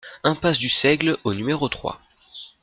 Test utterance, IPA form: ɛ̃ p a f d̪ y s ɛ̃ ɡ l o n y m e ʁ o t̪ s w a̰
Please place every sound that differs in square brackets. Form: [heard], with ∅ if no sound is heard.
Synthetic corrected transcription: ɛ̃ p a [s] d̪ y s [ɛ] ɡ l o n y m e ʁ o t̪ [χ] w a̰